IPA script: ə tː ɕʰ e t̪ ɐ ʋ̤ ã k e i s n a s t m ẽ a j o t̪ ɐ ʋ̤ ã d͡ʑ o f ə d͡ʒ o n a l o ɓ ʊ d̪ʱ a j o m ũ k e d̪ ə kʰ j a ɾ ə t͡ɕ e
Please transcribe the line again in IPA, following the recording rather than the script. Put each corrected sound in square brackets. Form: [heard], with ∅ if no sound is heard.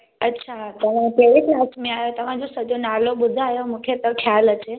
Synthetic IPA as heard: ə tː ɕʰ [a] t̪ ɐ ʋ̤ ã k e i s n a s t m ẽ a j o t̪ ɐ ʋ̤ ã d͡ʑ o [s] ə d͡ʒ o n a l o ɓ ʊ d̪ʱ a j o m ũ [kʰ] e [t̪] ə kʰ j a [l] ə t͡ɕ e